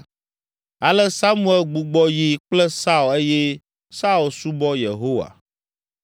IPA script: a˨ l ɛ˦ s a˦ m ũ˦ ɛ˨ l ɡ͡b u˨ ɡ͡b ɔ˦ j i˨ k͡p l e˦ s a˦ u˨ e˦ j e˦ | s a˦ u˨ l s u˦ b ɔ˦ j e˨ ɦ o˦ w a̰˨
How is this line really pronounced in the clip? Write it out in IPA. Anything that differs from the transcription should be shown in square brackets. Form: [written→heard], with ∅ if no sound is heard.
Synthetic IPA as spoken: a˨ l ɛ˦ s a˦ m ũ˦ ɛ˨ l ɡ͡b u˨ ɡ͡b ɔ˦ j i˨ k͡p l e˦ s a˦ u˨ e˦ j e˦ | s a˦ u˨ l s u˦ b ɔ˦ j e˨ ɦ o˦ w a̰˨